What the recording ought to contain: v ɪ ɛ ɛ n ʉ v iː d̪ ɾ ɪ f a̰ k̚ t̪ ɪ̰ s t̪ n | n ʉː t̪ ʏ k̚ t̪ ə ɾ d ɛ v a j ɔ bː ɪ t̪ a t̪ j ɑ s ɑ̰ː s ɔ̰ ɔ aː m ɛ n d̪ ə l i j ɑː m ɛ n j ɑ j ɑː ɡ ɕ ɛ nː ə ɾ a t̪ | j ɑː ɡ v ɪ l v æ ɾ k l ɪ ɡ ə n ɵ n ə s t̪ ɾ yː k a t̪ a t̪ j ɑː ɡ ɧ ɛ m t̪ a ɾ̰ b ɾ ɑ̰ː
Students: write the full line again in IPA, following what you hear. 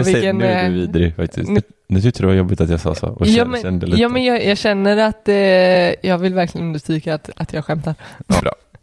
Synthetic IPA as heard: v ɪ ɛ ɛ n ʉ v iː d̪ ɾ ɪ f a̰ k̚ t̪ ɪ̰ s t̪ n | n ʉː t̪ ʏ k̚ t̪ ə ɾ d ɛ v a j ɔ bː ɪ t̪ a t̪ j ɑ s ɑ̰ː s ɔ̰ ɔ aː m ɛ n d̪ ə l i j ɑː m ɛ n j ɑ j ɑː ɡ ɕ ɛ nː ə ɾ a t̪ | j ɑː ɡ v ɪ l v æ ɾ k l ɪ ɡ ə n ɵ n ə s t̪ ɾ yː k a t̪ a t̪ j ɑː ɡ ɧ ɛ m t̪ a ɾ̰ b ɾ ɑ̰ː